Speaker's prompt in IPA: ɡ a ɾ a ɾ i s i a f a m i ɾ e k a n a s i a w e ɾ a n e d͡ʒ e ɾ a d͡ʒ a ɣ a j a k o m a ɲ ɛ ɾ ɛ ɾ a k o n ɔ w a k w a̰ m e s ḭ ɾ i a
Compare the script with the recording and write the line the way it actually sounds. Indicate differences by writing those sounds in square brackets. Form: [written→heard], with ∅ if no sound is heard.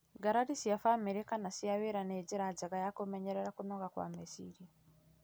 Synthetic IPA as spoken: ɡ a ɾ a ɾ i s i a f a m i ɾ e k a n a s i a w e ɾ a n e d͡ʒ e ɾ a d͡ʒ a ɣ a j a k o m [a→ɛ] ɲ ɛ ɾ ɛ ɾ a k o n ɔ [w→ɣ] a k w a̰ m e s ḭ ɾ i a